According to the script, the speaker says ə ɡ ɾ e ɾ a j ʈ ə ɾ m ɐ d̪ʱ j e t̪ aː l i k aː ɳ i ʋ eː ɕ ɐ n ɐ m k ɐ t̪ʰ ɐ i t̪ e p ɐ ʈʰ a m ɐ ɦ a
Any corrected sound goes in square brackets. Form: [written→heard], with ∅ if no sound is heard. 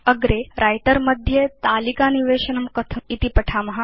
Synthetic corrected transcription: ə ɡ ɾ e ɾ a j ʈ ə ɾ m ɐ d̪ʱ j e t̪ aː l i k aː [ɳ→n] i ʋ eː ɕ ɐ n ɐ m k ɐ t̪ʰ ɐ i t̪ [e→i] p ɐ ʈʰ a m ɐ ɦ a